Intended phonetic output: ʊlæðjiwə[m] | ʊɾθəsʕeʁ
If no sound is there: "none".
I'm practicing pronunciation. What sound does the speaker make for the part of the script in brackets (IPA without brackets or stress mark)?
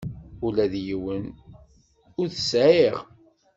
n